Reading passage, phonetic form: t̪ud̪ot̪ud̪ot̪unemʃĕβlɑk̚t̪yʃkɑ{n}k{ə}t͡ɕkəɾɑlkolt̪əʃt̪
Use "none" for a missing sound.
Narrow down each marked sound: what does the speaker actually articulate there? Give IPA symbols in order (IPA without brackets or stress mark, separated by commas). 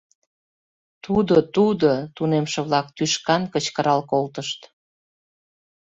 n, ə